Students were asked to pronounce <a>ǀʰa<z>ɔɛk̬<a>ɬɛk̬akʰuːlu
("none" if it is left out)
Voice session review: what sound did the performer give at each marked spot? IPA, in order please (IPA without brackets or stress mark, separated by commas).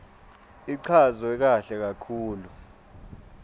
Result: i, z, a